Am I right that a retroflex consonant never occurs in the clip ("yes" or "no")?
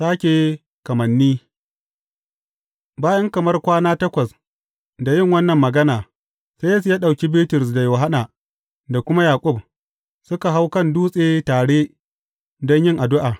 no